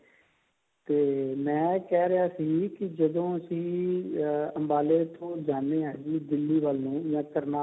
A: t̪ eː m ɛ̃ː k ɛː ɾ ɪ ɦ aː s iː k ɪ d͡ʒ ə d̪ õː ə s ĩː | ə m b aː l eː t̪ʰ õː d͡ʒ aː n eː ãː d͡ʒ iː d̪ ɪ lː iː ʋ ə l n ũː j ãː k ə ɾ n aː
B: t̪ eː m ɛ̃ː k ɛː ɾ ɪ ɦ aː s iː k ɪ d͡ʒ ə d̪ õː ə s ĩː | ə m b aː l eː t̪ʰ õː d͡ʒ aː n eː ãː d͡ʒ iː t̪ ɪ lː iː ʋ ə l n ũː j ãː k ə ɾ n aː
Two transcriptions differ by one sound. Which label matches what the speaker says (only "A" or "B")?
A